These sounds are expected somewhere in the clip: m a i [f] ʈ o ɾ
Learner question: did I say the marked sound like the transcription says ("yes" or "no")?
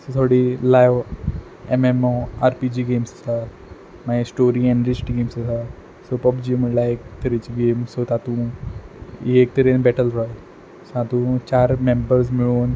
no